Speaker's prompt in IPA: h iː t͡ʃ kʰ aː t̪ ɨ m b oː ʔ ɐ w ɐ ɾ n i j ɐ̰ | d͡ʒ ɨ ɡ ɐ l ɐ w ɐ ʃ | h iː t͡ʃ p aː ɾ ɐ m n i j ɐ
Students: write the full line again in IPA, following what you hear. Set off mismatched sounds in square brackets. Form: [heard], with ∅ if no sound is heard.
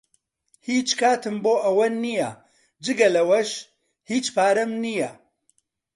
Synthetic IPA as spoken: h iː t͡ʃ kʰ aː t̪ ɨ m b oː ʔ ɐ w ɐ [∅] n i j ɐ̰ | d͡ʒ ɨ ɡ ɐ l ɐ w ɐ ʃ | h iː t͡ʃ p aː ɾ ɐ m n i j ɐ